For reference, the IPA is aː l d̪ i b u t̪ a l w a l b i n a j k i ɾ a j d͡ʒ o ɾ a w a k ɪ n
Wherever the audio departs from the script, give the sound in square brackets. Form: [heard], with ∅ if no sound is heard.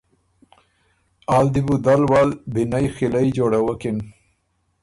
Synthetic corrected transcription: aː l d̪ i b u [d̪] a l w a l b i n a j [x] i [l] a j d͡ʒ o [ɽ] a w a k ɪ n

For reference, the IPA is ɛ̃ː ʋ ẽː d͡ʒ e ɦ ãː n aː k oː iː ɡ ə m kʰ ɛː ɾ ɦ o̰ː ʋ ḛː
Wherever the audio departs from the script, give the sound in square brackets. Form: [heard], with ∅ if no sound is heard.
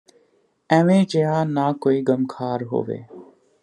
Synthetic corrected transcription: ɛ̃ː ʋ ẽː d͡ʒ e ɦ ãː n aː k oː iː ɡ ə m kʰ [aː] ɾ ɦ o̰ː ʋ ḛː

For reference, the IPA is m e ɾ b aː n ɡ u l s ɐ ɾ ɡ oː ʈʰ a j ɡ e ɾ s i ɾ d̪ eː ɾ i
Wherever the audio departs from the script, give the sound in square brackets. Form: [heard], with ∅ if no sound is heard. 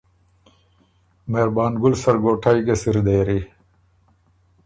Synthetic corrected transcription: m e ɾ b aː n ɡ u l s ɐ ɾ ɡ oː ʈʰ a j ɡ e [∅] s i ɾ d̪ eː ɾ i

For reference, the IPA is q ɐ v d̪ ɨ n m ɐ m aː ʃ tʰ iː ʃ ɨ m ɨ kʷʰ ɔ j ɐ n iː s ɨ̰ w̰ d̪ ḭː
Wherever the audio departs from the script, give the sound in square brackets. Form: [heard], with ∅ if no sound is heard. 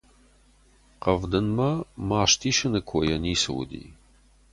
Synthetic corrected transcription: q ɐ v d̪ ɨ n m ɐ m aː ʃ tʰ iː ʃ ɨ [n] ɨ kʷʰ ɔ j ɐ n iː s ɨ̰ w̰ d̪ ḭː

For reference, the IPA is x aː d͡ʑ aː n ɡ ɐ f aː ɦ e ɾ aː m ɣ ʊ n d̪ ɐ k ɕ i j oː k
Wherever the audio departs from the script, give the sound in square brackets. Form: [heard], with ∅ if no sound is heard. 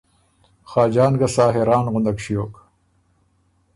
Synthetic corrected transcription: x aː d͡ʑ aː n ɡ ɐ [s] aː ɦ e ɾ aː [n] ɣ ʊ n d̪ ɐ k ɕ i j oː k

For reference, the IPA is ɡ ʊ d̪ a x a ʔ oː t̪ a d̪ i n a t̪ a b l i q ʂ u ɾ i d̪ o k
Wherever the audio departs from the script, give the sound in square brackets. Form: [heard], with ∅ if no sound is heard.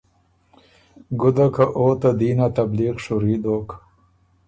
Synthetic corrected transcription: ɡ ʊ d̪ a [k] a ʔ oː t̪ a d̪ i n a t̪ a b l i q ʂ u ɾ i d̪ o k

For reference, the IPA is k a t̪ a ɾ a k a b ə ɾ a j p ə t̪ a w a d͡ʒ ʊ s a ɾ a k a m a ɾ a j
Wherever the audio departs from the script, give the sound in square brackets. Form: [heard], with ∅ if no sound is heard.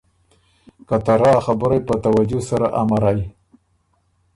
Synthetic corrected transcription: k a t̪ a ɾ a [x] a b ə ɾ a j p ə t̪ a w a d͡ʒ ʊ s a ɾ a [ʔ] a m a ɾ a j

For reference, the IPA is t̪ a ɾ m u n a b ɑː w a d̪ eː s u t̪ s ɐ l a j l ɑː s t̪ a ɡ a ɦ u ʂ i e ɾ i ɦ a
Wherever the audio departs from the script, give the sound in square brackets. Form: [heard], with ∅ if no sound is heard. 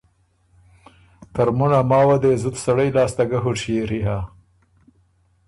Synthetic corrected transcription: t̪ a ɾ m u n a [m] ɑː w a d̪ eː [z] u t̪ s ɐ [ɽ] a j l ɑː s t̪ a ɡ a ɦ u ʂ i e ɾ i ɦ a

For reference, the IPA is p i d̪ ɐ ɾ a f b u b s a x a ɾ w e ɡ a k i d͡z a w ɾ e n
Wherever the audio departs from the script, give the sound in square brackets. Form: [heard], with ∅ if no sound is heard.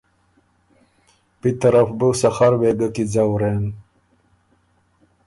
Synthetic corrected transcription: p i [t̪] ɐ ɾ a f b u [∅] s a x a ɾ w e ɡ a k i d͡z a w ɾ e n

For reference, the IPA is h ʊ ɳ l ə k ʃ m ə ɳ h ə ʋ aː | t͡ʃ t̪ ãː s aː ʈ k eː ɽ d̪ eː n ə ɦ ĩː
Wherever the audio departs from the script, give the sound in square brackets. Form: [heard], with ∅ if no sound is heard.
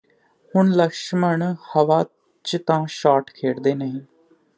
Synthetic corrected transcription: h ʊ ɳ l ə k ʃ m ə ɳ h ə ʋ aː | t͡ʃ t̪ ãː [ʃ] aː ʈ [kʰ] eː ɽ d̪ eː n ə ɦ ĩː

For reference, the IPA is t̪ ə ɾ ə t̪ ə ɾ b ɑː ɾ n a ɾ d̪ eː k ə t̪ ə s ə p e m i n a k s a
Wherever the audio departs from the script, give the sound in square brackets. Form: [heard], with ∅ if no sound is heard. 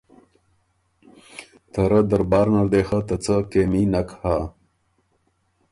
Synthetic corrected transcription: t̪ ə ɾ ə [d̪] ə ɾ b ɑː ɾ n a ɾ d̪ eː [x] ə t̪ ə [t͡s] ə [k] e m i n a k [h] a

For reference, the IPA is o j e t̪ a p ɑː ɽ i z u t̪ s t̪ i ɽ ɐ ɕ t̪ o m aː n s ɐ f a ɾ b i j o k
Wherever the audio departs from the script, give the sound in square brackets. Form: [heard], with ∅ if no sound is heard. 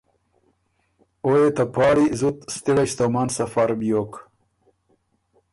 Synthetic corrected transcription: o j e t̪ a p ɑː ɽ i z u t̪ s t̪ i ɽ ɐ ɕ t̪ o m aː n s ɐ f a ɾ b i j o k

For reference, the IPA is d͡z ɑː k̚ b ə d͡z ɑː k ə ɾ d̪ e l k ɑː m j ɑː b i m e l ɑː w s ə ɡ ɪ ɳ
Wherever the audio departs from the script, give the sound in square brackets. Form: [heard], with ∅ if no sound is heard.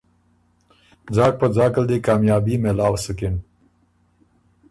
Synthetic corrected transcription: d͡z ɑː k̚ [p] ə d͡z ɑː k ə [l] d̪ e [∅] k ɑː m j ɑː b i m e l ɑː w s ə [k] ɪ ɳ

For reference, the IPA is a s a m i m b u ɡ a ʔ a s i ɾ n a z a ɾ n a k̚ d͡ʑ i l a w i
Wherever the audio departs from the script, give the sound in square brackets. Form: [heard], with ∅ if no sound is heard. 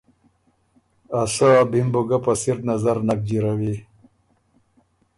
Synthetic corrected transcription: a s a [b] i m b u ɡ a [p] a s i ɾ n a z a ɾ n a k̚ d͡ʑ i [ɾ] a w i

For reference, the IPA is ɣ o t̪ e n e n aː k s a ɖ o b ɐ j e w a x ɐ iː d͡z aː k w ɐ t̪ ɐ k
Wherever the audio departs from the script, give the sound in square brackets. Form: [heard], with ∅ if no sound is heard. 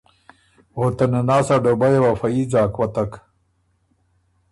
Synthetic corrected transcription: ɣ o t̪ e n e n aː [∅] s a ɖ o b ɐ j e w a [f] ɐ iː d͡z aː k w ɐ t̪ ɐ k

